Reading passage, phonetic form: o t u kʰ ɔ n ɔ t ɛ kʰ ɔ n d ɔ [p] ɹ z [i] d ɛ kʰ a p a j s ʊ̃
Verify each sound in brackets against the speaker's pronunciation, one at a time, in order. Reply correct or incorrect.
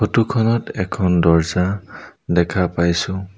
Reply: incorrect, incorrect

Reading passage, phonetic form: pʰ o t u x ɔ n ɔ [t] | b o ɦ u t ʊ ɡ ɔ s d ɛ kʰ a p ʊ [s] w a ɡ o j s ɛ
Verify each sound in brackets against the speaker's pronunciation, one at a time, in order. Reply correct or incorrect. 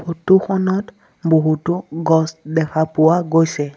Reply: correct, incorrect

